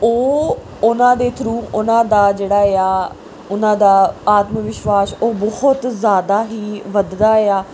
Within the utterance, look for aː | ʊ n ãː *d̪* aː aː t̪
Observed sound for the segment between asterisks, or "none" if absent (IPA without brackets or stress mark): d̪